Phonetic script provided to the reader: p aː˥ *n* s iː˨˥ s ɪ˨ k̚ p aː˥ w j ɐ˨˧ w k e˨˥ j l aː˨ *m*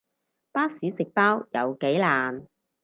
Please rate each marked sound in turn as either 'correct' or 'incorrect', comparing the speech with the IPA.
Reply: incorrect: none, incorrect: n

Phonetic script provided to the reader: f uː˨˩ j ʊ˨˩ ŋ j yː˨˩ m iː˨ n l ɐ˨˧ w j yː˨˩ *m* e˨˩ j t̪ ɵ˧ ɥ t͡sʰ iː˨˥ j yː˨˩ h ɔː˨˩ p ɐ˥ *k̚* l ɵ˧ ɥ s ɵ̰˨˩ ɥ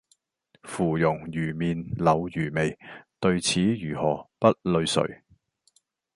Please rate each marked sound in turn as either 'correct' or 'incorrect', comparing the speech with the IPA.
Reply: correct, incorrect: t̚

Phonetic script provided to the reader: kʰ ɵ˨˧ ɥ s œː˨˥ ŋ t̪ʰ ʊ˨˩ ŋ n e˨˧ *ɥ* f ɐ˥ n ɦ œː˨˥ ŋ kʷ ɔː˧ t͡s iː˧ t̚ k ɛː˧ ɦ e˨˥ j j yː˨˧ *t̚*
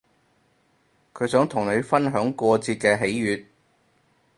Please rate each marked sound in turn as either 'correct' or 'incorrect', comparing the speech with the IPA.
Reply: correct, correct

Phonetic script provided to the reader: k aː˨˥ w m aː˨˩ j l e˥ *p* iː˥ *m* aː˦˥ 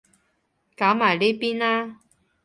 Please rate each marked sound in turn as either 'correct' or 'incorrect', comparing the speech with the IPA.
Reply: correct, incorrect: n

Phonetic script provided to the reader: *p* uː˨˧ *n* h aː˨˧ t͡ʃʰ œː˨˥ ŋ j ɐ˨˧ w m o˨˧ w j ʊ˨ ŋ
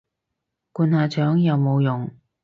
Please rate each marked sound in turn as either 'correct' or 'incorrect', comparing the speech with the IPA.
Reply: incorrect: k, correct

